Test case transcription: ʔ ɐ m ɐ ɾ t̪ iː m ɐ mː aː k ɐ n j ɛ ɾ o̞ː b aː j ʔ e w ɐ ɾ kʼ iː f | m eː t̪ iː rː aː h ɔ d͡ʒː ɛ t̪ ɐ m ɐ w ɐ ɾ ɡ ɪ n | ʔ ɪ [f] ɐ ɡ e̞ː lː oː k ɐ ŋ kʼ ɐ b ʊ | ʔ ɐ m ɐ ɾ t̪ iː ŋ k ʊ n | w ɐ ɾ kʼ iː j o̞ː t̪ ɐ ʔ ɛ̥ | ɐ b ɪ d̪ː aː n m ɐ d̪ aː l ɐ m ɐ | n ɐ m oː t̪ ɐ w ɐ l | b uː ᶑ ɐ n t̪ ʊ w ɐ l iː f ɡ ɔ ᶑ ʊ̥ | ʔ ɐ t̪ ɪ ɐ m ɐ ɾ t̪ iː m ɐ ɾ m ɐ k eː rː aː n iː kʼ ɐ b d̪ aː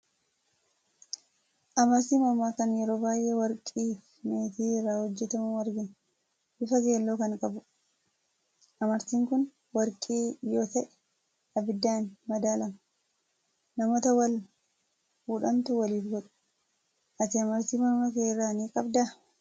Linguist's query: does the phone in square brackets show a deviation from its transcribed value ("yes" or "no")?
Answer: no